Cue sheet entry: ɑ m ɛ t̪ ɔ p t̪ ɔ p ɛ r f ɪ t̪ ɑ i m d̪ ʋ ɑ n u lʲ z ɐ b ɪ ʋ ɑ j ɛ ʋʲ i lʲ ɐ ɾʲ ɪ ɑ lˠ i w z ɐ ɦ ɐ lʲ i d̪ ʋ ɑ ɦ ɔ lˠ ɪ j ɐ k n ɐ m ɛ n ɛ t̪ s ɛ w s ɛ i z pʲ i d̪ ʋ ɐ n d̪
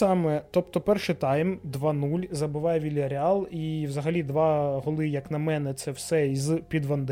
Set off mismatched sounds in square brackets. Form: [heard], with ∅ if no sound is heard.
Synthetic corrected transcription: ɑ m ɛ t̪ ɔ p t̪ ɔ p ɛ r [ʃ] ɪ t̪ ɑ [j] m d̪ ʋ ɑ n u lʲ z ɐ b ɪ ʋ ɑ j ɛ ʋʲ i lʲ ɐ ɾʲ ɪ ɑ lˠ i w z ɐ ɦ ɐ lʲ i d̪ ʋ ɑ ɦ ɔ lˠ ɪ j ɐ k n ɐ m ɛ n ɛ t̪ s ɛ w s ɛ i z pʲ i d̪ ʋ ɐ n d̪